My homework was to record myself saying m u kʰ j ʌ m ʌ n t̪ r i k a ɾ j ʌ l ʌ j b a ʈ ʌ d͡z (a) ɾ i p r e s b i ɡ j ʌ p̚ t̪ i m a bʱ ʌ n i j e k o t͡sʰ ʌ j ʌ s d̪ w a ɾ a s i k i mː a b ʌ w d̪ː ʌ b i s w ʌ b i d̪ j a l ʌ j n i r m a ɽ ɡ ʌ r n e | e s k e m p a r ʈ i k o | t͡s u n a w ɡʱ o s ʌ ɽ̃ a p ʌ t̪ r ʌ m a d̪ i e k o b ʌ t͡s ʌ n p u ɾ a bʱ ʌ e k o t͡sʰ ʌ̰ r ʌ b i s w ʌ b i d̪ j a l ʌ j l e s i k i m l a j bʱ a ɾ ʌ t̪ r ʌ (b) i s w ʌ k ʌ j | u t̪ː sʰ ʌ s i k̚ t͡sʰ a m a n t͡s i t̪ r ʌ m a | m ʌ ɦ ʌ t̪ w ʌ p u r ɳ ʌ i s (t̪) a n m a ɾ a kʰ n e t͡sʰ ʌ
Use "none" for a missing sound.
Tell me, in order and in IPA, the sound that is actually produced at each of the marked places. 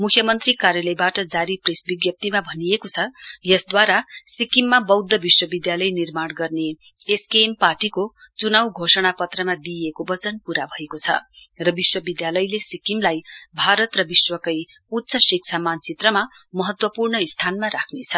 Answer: a, b, t̪ʰ

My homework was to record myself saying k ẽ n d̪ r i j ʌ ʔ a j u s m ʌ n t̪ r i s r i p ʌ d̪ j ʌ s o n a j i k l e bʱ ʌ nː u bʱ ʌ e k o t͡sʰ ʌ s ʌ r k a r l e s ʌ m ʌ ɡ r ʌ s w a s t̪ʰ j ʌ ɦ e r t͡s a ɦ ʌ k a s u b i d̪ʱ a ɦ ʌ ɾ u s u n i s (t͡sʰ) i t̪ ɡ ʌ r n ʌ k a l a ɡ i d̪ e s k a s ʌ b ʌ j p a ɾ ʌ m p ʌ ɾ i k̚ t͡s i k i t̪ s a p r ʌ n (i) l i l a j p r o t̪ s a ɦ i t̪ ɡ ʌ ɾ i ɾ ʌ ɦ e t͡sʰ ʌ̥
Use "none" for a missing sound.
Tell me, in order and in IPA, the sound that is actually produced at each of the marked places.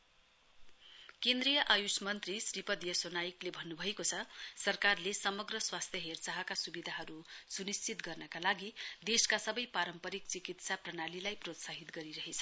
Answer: t͡s, a

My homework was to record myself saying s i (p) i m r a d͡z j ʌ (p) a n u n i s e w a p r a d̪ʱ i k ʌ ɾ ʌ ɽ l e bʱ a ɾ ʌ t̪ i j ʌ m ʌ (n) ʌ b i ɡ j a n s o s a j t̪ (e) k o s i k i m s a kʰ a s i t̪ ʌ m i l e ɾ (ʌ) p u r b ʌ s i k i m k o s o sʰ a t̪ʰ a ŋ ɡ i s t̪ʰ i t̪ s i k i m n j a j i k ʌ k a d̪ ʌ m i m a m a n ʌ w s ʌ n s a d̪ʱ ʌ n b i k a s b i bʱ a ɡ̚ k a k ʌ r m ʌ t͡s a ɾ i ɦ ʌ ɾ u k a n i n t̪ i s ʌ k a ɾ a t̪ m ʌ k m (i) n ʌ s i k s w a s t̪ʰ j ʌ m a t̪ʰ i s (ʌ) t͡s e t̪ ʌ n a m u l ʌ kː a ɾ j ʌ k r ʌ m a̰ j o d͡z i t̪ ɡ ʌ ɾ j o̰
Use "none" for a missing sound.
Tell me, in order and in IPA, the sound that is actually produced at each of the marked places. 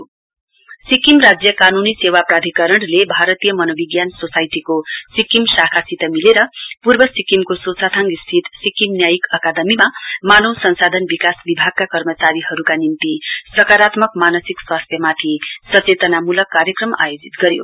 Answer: k, k, n, i, ʌ, a, ʌ

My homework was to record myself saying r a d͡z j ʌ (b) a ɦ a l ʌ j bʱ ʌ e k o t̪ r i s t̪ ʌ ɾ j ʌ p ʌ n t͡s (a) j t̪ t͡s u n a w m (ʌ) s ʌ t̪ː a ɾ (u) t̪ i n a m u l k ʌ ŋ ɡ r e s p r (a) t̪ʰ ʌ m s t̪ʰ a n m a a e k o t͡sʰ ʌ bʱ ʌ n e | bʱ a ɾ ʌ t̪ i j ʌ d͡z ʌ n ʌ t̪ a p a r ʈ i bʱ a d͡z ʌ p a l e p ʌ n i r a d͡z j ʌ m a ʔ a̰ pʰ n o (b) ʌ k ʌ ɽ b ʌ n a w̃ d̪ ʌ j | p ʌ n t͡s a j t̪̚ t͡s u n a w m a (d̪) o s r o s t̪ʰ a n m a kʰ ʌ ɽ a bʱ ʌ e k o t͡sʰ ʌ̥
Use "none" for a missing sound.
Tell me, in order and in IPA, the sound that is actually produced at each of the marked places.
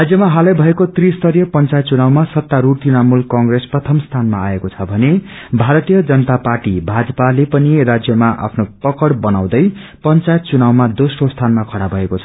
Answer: m, a, a, u, ʌ, p, d̪

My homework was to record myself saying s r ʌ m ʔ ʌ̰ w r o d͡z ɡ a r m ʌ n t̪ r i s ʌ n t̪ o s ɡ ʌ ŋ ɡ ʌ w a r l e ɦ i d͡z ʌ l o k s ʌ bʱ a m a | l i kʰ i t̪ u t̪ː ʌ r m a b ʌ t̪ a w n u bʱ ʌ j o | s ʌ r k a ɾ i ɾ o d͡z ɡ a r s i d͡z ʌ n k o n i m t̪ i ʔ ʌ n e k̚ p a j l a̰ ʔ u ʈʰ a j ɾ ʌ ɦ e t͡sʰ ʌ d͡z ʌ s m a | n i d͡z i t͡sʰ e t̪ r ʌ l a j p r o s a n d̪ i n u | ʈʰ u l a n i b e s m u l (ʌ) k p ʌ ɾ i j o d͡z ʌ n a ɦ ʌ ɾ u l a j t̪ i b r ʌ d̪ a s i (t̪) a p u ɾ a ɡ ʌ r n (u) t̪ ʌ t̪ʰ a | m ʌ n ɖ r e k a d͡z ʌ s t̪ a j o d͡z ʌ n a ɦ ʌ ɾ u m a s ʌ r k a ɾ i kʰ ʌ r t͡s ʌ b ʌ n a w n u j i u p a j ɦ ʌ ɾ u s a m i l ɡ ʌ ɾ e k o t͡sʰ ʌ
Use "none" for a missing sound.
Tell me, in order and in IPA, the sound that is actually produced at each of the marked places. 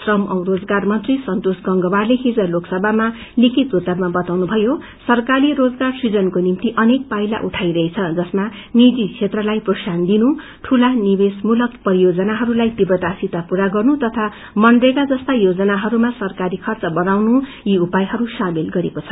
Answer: ʌ, t̪, u

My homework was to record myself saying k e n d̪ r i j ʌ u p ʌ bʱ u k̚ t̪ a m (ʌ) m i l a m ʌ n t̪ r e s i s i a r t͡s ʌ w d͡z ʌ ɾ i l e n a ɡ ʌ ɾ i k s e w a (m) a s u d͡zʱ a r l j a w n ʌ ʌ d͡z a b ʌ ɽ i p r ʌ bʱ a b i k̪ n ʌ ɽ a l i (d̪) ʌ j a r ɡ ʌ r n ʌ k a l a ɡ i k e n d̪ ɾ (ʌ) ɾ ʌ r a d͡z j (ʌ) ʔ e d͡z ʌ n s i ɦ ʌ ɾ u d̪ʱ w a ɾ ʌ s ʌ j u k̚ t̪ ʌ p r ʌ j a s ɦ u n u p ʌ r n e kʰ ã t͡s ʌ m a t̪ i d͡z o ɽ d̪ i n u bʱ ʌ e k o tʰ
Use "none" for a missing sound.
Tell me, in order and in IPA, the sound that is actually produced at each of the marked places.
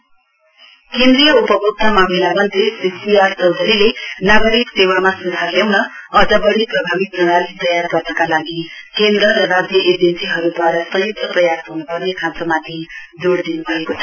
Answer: a, m, t̪, ʌ, ʌ

